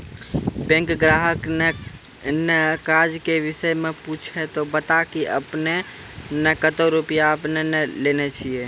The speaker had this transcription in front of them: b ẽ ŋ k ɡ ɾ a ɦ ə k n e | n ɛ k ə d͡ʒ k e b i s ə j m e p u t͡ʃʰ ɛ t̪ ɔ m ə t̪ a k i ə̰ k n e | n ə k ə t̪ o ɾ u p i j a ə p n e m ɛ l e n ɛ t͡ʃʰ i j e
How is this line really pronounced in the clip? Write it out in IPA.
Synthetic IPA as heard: b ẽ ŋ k ɡ ɾ a ɦ ə k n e | n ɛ k a d͡ʒ k e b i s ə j m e p u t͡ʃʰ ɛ t̪ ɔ b ə t̪ a k i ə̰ p n e | n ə k ə t̪ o ɾ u p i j a ə p n e n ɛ l e n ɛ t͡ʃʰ i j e